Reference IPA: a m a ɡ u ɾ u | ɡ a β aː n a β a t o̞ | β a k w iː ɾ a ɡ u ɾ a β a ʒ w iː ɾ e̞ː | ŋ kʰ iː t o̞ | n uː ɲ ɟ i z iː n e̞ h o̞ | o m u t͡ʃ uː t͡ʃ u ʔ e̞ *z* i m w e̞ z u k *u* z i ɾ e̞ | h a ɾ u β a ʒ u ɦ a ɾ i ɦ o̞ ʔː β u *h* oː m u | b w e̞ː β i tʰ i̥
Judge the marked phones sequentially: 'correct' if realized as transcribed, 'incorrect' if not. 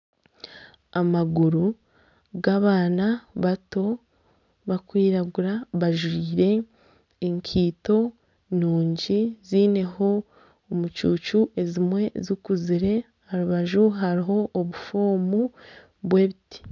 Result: correct, correct, incorrect

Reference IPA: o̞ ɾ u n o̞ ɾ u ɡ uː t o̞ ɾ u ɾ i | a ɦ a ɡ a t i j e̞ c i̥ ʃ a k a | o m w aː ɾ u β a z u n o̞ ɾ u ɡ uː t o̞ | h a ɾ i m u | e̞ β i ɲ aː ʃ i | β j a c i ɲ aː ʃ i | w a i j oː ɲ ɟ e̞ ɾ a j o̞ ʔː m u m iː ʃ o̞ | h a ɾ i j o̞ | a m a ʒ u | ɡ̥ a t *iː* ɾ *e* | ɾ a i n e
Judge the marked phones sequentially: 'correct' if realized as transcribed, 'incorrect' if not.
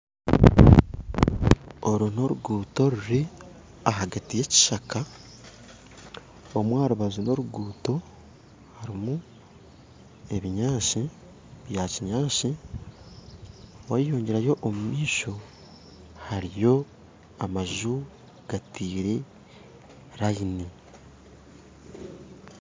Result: correct, correct

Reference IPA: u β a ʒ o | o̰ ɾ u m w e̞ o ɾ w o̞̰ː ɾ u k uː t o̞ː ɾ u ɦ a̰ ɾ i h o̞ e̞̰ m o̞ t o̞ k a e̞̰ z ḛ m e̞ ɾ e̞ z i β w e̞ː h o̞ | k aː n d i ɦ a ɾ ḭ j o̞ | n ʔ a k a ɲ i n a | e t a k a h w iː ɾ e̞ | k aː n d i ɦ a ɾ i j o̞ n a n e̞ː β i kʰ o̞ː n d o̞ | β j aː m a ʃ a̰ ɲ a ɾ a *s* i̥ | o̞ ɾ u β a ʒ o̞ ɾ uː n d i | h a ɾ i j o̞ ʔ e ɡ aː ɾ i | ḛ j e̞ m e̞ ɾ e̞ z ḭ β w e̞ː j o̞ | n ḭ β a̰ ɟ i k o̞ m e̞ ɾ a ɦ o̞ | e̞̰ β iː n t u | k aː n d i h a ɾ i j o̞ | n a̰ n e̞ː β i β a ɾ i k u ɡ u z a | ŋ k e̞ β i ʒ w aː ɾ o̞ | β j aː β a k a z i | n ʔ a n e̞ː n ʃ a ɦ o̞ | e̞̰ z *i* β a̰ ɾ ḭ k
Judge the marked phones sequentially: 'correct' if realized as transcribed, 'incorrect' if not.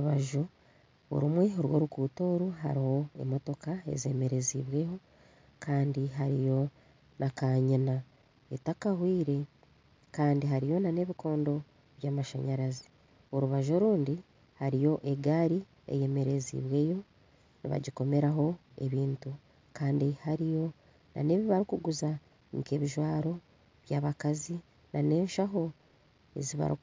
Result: incorrect, correct

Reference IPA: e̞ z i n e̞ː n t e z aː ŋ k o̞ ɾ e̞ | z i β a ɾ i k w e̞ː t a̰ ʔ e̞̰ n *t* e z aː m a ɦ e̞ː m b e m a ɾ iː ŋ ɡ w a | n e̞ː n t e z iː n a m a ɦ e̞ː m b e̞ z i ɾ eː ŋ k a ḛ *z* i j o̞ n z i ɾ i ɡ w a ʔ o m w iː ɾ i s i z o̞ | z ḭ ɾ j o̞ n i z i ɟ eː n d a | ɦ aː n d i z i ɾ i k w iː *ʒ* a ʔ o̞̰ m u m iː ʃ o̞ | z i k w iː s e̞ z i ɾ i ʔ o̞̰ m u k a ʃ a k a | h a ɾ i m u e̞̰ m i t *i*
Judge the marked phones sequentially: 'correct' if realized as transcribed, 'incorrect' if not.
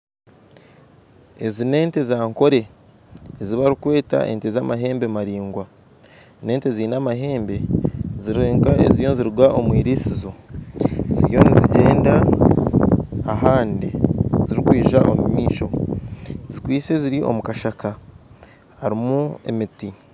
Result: correct, correct, correct, correct

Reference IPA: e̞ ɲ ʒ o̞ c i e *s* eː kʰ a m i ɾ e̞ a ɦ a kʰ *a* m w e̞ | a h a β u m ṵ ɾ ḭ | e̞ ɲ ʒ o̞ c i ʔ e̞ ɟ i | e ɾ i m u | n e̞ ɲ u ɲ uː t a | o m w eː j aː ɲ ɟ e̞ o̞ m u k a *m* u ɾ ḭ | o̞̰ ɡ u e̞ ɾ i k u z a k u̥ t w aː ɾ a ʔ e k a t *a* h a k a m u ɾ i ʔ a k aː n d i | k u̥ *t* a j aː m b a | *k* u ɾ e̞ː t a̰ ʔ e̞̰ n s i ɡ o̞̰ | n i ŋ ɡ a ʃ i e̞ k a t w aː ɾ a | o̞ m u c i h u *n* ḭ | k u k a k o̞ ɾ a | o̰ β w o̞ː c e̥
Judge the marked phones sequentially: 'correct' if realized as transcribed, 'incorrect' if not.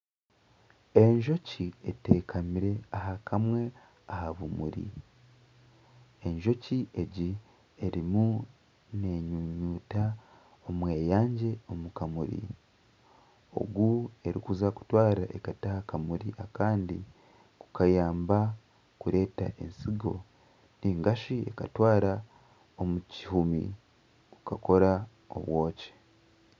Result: incorrect, correct, correct, correct, incorrect, correct, incorrect

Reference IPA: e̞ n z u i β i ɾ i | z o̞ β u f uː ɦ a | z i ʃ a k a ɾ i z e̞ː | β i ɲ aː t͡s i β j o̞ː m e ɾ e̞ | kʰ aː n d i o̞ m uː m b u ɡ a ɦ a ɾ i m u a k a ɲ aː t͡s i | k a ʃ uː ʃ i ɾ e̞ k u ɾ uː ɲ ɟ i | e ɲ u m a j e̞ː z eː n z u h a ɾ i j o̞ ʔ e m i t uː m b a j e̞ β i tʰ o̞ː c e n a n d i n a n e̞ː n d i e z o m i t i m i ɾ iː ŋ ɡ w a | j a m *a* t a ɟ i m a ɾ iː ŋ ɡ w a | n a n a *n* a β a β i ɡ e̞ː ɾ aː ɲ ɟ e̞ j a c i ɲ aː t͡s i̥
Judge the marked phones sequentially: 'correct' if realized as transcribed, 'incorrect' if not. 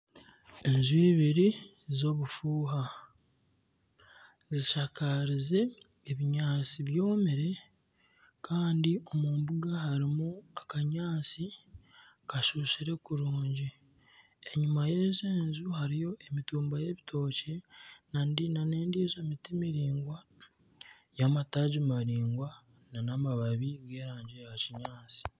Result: correct, incorrect

